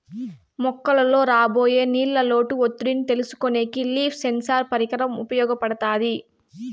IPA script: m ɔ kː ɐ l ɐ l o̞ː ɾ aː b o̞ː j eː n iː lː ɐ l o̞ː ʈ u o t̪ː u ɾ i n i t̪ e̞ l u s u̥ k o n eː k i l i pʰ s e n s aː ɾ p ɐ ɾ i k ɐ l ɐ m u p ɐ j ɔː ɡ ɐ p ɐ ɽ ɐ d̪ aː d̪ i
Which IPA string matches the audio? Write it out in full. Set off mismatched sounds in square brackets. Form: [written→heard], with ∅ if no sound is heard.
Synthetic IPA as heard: m ɔ kː ɐ l ɐ l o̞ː ɾ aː b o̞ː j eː n iː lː ɐ l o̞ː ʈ u o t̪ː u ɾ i n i t̪ e̞ l u s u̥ k o n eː k i l [i→iː] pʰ s e n s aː ɾ p ɐ ɾ i k ɐ [l→ɾ] ɐ m u p ɐ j ɔː ɡ ɐ p ɐ ɽ ɐ [d̪→t̪] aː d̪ i